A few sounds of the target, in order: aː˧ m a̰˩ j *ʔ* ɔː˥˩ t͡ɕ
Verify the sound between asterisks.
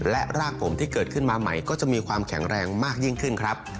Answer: incorrect: k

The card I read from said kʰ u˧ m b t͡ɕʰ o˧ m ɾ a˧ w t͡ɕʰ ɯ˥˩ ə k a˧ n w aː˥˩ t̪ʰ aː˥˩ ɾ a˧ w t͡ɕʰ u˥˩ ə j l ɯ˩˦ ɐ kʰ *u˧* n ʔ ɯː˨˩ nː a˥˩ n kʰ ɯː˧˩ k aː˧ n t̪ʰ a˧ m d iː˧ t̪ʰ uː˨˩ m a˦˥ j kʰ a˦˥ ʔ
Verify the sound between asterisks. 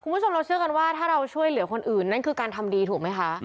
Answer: incorrect: o˧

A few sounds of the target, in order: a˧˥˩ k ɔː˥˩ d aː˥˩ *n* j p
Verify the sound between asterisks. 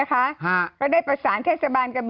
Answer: incorrect: none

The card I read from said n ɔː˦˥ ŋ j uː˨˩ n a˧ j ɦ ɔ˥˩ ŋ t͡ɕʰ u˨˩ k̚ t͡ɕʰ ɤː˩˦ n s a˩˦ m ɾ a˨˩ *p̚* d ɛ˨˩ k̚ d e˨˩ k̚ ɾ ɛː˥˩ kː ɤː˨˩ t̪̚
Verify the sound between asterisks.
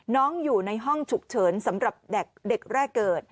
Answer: correct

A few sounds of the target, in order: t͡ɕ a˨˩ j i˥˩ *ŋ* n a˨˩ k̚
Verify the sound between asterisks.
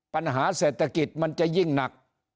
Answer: correct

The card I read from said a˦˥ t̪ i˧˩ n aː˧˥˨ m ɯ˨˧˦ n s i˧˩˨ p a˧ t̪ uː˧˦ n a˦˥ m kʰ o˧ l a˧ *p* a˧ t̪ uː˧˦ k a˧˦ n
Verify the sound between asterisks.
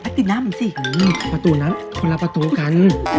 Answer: correct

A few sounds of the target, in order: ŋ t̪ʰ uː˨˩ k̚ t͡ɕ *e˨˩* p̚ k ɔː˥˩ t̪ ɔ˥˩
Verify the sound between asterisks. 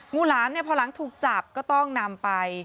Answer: incorrect: a˨˩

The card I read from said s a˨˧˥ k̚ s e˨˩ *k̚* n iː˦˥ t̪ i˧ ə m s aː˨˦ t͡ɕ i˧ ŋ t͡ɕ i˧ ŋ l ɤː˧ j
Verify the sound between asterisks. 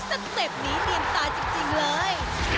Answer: incorrect: p̚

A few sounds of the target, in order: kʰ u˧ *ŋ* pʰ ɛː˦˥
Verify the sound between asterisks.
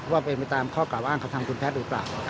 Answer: incorrect: n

